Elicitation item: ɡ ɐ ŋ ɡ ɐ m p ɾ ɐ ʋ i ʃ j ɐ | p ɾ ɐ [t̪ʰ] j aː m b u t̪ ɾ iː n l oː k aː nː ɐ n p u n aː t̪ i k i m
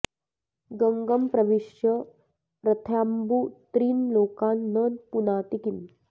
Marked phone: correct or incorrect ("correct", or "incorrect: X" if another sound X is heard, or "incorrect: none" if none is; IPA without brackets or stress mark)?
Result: correct